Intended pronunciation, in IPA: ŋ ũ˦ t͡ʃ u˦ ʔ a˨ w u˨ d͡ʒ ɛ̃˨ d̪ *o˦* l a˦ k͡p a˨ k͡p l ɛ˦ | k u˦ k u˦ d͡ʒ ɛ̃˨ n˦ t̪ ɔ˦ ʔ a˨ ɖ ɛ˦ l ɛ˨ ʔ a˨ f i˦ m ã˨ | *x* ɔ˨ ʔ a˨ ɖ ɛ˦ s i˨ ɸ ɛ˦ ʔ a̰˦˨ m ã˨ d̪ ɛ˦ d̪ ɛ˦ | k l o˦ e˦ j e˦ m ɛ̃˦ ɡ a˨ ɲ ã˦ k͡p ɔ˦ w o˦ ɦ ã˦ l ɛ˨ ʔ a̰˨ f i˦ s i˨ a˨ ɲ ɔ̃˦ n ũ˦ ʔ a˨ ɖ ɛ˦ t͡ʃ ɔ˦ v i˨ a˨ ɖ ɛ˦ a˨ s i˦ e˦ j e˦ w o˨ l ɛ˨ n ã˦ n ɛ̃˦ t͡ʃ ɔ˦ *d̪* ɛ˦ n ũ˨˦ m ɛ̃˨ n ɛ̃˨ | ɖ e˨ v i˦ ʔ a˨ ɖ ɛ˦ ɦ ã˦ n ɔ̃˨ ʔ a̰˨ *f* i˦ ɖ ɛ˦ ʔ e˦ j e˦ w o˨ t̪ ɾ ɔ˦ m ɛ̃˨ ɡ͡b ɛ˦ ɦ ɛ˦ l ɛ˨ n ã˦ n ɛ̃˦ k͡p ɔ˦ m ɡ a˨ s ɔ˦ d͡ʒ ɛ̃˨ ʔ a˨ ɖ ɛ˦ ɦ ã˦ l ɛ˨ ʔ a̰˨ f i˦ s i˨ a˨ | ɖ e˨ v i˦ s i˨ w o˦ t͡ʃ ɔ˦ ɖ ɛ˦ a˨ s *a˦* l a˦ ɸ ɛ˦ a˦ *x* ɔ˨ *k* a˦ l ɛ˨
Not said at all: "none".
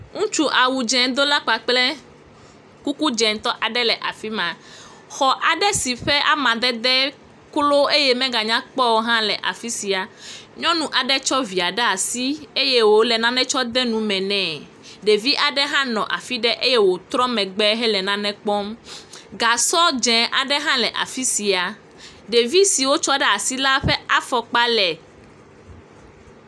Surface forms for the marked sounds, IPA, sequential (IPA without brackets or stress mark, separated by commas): o˦, x, d̪, f, i˦, f, k͡p